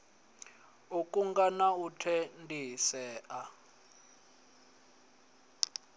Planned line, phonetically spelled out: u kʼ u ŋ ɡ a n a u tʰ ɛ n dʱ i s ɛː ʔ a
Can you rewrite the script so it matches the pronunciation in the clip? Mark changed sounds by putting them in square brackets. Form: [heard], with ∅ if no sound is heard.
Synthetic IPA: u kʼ u ŋ ɡ a n a u tʰ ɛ n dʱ i s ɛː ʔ a